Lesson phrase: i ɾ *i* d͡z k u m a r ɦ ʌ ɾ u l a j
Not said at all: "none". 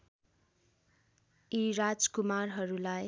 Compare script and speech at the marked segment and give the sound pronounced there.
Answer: a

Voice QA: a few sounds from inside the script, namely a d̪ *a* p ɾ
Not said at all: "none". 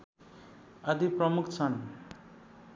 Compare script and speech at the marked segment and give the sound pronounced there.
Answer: i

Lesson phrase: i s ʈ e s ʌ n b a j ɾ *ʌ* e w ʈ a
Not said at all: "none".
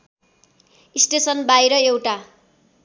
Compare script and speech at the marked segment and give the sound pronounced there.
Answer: ʌ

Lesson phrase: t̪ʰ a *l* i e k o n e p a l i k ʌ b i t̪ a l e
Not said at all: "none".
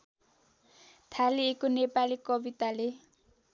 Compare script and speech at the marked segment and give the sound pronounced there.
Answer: l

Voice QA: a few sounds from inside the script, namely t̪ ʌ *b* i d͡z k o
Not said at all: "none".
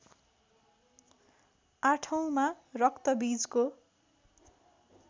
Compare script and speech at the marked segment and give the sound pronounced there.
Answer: b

